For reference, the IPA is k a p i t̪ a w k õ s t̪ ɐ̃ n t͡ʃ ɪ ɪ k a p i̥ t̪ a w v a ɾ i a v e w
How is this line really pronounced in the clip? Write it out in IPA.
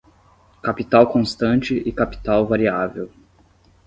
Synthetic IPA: k a p i t̪ a w k õ s t̪ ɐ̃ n t͡ʃ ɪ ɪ k a p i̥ t̪ a w v a ɾ i a v e w